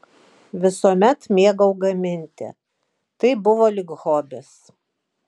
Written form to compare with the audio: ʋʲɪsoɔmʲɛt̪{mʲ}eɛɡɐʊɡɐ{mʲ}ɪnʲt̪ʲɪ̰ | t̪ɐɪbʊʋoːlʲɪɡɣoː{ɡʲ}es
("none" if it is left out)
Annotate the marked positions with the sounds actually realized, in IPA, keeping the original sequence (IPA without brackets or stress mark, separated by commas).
mʲ, mʲ, bʲ